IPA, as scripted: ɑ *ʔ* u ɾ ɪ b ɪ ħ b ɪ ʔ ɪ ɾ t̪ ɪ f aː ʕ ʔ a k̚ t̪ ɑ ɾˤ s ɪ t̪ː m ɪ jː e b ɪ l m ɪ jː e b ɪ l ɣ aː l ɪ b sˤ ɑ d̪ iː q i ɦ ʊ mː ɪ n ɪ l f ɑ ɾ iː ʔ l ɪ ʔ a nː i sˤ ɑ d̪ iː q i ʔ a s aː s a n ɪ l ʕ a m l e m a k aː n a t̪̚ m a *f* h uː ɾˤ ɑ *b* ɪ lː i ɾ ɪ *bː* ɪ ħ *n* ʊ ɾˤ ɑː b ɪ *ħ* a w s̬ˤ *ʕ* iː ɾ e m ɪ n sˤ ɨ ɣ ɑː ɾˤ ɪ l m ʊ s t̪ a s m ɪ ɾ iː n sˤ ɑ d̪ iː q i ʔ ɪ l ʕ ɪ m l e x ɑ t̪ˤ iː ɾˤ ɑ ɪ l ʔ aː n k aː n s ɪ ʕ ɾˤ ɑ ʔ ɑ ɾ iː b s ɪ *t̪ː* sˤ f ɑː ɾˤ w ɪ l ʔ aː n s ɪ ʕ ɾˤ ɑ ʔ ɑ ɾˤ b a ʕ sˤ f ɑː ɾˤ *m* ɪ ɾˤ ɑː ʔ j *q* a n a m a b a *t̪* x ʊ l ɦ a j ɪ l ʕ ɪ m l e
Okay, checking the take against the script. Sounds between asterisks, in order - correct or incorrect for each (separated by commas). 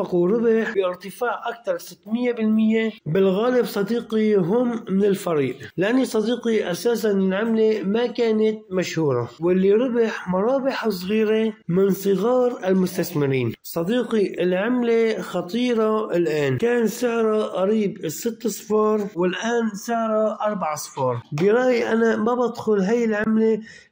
incorrect, incorrect, incorrect, incorrect, incorrect, correct, incorrect, correct, incorrect, incorrect, incorrect